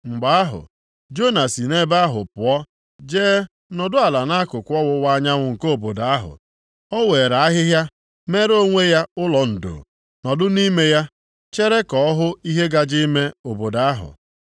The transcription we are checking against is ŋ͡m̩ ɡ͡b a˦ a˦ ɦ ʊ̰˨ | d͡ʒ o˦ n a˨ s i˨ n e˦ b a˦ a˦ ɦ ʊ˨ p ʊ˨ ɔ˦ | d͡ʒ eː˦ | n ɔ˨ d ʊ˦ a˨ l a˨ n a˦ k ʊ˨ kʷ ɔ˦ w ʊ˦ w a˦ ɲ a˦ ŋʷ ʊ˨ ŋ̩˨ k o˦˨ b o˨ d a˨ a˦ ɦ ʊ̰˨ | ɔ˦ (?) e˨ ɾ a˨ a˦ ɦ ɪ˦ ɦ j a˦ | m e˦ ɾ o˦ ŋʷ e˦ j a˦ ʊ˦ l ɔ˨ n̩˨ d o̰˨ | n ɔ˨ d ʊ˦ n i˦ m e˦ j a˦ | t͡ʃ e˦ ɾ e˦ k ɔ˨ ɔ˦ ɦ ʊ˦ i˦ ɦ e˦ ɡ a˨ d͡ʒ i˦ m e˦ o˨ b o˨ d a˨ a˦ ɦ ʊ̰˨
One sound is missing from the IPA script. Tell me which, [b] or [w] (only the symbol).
w